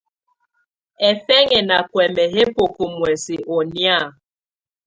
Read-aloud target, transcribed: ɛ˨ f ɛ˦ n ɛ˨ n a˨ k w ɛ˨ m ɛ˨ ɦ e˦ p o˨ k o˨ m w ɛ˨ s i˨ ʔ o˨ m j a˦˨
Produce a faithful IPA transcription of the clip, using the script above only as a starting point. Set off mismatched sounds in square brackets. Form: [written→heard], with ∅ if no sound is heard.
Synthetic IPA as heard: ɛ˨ f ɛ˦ [n→ŋ] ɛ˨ n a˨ k w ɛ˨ m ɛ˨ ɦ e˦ p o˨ k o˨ m w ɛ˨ s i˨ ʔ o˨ [m→n] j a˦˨